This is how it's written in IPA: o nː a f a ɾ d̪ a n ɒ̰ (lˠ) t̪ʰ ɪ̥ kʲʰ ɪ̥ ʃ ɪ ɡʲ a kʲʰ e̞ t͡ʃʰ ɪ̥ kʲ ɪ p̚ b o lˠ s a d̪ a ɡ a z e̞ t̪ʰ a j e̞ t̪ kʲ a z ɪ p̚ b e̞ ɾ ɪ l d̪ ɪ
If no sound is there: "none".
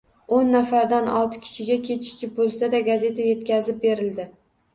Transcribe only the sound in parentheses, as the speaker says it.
lˠ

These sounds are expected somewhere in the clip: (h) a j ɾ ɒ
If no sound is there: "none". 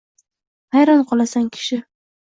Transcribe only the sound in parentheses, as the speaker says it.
h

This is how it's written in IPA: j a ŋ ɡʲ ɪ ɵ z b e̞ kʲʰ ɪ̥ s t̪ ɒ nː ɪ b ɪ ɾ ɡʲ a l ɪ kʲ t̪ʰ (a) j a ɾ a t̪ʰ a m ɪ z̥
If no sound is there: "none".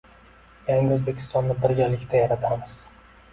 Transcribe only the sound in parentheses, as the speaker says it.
a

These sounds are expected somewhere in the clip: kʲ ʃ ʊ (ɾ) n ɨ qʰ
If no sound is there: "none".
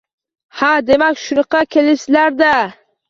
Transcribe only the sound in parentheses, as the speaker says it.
none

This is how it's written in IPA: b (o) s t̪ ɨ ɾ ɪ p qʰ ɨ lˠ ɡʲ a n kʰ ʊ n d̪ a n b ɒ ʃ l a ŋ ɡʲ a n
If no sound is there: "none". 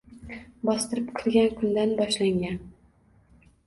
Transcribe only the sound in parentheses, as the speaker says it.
ɒ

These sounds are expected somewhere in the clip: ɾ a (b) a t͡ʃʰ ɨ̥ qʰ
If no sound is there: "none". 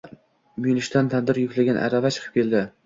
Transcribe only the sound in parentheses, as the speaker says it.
v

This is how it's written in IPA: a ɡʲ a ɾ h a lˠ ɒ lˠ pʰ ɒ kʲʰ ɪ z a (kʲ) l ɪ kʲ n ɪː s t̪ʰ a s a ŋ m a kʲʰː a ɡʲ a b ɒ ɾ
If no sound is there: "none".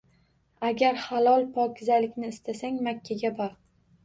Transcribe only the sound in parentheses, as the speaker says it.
none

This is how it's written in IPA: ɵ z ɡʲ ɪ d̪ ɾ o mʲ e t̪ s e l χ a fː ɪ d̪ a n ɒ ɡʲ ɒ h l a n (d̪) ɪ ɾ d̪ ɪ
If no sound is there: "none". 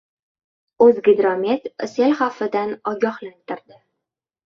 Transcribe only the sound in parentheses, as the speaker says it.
t̪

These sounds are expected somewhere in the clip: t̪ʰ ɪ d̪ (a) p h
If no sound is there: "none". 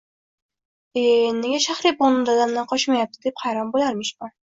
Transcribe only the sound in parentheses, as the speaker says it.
e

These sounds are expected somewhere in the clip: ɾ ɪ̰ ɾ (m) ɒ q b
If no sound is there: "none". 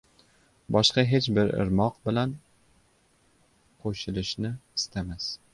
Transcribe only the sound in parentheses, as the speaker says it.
m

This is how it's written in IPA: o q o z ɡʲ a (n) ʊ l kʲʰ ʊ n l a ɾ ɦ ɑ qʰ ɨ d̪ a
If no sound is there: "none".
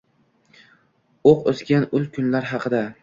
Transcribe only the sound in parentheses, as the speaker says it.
n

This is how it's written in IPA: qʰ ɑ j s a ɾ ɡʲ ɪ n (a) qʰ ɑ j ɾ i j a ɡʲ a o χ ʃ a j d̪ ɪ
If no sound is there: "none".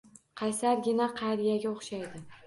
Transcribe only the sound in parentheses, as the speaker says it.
a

